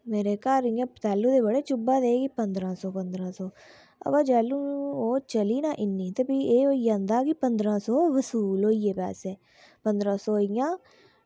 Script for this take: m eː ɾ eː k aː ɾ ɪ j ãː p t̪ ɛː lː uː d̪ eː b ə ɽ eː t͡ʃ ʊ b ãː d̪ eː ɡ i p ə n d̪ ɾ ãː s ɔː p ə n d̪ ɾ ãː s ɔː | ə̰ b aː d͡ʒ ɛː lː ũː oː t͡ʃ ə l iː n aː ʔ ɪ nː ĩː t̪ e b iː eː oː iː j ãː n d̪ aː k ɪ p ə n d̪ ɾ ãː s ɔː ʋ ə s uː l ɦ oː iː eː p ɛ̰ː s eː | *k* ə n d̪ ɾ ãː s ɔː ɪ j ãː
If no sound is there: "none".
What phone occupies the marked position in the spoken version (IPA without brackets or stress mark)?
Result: p